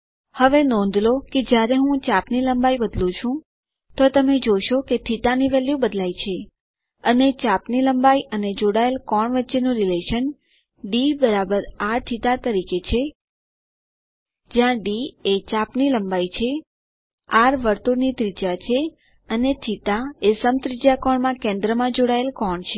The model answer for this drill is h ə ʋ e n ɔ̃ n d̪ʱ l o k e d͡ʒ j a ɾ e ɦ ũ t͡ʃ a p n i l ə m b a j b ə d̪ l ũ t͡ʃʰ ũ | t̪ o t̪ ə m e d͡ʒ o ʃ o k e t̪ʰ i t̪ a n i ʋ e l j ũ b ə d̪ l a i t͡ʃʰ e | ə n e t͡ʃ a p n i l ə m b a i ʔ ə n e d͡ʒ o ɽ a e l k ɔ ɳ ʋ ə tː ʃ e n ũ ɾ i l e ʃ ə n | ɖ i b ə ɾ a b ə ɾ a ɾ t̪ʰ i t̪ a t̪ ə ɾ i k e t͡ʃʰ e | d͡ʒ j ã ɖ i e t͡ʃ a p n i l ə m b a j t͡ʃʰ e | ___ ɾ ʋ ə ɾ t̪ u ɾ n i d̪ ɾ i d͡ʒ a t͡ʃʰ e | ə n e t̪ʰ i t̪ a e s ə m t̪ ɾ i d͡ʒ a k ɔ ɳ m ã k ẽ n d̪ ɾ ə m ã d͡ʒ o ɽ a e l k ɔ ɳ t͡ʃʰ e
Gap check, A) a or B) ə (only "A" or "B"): A